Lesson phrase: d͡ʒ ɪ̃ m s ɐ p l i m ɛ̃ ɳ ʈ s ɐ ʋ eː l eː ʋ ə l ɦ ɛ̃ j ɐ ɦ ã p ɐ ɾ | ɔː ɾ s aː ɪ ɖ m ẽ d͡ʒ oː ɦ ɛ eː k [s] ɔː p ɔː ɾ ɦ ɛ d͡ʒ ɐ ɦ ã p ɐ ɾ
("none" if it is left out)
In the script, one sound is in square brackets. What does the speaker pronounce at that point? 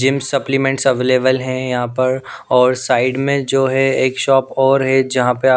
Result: ʃ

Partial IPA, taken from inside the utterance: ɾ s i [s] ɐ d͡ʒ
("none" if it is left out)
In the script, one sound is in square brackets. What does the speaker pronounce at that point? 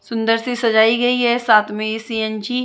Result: s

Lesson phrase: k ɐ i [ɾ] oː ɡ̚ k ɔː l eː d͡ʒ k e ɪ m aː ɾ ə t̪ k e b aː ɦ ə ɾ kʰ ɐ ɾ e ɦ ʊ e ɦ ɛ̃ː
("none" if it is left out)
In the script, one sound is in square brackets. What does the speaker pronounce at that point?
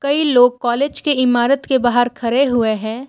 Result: l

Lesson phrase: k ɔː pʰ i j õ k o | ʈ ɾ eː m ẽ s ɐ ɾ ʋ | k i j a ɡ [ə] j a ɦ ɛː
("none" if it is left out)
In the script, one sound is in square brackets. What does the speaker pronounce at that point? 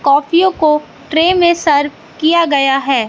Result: ɐ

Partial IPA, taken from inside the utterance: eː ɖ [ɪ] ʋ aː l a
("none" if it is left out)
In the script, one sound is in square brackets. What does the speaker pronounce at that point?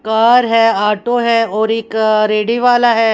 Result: i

